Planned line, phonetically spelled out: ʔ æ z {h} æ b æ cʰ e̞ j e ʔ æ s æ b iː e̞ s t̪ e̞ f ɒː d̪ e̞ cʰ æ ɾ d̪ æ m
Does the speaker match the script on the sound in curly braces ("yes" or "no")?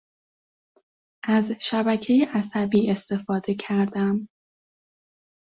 no